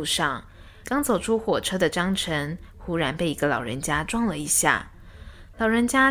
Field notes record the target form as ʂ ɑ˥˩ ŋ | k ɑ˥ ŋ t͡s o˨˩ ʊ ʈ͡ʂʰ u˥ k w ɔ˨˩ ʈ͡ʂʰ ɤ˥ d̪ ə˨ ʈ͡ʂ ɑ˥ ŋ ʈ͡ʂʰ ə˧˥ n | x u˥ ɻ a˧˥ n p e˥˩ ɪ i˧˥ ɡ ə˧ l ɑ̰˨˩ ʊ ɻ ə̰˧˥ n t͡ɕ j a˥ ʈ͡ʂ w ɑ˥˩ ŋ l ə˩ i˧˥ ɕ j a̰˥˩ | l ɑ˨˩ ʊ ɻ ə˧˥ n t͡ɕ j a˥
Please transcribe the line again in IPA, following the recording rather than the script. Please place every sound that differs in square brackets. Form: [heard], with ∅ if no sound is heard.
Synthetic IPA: ʂ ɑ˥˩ ŋ | k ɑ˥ ŋ t͡s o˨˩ ʊ ʈ͡ʂʰ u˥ [x] w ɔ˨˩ ʈ͡ʂʰ ɤ˥ d̪ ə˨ ʈ͡ʂ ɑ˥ ŋ ʈ͡ʂʰ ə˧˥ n | x u˥ ɻ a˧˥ n p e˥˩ ɪ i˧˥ ɡ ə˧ l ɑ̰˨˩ ʊ ɻ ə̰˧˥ n t͡ɕ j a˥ ʈ͡ʂ w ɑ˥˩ ŋ l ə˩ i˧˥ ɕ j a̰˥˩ | l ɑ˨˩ ʊ ɻ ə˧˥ n t͡ɕ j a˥